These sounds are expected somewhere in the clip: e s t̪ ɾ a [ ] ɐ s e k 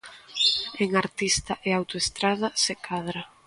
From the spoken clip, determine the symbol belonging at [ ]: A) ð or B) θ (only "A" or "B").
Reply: A